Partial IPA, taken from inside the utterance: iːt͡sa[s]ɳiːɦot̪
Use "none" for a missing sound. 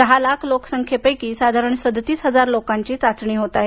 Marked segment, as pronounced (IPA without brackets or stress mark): t͡s